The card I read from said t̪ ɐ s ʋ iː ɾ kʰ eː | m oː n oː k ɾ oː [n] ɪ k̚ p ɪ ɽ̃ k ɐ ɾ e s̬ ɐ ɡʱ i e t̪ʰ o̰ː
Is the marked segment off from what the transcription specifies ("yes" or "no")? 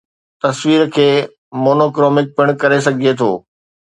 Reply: yes